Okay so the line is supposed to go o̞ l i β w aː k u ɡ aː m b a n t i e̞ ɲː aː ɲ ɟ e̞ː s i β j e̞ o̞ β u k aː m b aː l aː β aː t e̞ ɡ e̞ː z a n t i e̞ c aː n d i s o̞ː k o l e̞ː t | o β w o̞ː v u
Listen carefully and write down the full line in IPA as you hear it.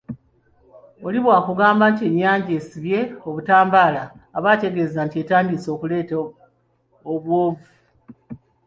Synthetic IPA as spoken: o̞ l i β w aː k u ɡ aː m b a n t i e̞ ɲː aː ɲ ɟ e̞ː s i β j e̞ o̞ β u t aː m b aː l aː β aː t e̞ ɡ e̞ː z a n t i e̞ t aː n d i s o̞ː k u l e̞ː t | o β w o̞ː v u